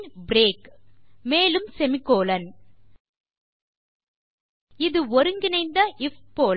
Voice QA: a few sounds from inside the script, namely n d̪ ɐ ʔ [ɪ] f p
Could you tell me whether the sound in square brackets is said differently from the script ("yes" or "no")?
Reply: no